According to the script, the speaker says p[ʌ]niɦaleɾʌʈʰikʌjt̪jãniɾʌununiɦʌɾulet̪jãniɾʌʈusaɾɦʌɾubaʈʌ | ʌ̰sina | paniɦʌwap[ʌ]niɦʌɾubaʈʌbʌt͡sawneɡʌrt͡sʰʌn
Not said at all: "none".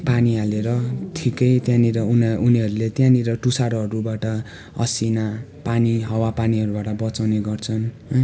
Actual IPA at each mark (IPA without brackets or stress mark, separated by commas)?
a, a